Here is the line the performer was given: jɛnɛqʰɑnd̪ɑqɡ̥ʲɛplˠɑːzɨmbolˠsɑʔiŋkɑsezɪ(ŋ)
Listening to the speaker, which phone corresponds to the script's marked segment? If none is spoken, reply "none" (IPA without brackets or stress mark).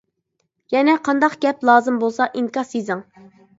ŋ